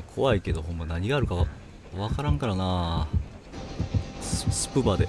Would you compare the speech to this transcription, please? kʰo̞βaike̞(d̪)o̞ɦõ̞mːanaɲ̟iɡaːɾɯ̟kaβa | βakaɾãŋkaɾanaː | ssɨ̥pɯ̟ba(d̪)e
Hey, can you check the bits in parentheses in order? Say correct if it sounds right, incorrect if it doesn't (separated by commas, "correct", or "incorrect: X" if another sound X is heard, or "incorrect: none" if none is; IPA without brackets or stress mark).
correct, correct